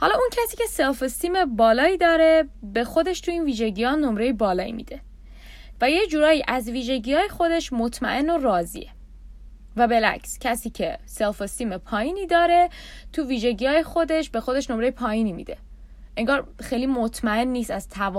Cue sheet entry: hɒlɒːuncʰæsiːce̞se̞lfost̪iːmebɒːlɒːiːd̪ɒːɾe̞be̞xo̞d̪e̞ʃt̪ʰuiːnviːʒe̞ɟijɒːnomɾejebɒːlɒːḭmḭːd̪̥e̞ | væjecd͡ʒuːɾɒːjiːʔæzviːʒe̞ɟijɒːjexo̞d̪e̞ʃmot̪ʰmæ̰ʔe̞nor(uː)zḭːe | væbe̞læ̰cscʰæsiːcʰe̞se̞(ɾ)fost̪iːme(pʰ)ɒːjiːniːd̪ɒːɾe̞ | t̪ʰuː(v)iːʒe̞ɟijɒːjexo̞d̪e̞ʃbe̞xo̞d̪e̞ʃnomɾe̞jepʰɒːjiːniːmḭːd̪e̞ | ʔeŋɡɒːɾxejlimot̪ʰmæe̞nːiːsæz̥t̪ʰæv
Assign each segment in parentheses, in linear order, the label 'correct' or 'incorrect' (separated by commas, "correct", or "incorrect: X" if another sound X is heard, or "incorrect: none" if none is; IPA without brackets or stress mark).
incorrect: ɒː, incorrect: l, correct, correct